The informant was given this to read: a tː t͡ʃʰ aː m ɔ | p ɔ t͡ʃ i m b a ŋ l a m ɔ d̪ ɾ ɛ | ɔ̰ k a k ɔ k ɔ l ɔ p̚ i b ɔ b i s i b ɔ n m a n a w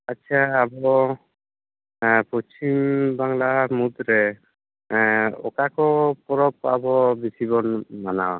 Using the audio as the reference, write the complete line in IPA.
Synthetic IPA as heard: a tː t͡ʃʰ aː b ɔ | p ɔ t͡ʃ i m b a ŋ l a m u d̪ ɾ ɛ | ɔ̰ k a k ɔ p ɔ ɾ ɔ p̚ a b ɔ b i s i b ɔ n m a n a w